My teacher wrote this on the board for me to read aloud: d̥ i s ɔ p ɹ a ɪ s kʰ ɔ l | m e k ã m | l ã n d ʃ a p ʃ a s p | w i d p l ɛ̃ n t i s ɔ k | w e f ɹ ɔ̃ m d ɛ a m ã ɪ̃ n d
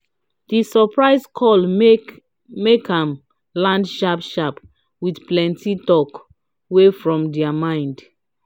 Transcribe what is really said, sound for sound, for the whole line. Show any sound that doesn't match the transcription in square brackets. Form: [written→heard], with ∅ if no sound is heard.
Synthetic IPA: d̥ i s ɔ p ɹ a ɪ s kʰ ɔ l | m e k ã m | l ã n d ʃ a p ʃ a [s→∅] p | w i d p l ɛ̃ n t i [s→t] ɔ k | w e f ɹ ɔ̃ m d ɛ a m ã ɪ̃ n d